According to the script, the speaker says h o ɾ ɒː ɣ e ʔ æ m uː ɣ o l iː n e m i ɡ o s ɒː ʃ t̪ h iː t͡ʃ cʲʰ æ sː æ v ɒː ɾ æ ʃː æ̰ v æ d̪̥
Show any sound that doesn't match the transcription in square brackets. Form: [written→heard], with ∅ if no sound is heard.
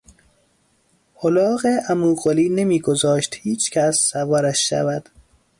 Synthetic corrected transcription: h o [ɾ→l] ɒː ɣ e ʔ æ m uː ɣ o l iː n e m [i→iː] ɡ o [s→z] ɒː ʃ t̪ h iː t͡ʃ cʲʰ æ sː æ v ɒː ɾ æ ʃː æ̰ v æ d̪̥